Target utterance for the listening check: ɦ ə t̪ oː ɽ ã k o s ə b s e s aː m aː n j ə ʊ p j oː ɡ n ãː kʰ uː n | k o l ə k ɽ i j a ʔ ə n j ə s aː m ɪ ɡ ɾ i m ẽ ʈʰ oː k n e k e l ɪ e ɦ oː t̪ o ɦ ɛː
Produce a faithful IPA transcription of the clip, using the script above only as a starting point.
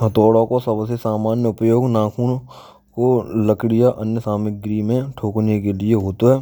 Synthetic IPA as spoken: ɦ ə t̪ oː ɽ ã k o s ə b s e s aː m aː n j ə ʊ p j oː ɡ n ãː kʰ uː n | k o l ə k ɽ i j a ʔ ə n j ə s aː m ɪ ɡ ɾ i m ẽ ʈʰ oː k n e k e l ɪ e ɦ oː t̪ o ɦ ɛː

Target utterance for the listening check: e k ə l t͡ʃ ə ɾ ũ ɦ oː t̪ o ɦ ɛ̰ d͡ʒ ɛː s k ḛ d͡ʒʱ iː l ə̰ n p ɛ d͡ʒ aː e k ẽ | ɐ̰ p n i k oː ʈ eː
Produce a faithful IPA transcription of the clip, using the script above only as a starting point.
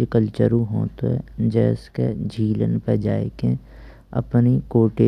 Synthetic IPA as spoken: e k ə l t͡ʃ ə ɾ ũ ɦ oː t̪ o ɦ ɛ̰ d͡ʒ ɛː s k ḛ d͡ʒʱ iː l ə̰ n p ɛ d͡ʒ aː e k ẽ | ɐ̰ p n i k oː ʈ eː

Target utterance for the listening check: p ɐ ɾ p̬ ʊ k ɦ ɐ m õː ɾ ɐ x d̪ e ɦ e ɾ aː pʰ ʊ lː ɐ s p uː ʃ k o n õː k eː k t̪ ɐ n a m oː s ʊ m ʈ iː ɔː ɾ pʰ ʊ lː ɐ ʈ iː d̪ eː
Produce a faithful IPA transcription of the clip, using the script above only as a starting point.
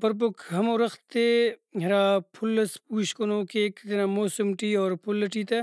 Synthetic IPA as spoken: p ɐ ɾ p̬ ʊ k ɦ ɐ m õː ɾ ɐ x t̪ e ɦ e ɾ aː pʰ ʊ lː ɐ s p uː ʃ k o n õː k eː k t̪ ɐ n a m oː s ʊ m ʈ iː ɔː ɾ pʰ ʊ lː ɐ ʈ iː t̪ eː

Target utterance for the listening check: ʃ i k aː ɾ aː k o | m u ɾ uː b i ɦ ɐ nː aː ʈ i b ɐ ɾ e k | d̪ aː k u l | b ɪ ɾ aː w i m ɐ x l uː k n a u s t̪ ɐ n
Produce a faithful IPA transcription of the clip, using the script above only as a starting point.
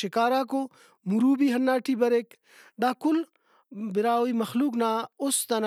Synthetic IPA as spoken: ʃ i k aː ɾ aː k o | m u ɾ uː b i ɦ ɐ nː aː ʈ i b ɐ ɾ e k | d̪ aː k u l | b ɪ ɾ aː w i m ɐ x l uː k n a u s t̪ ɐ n

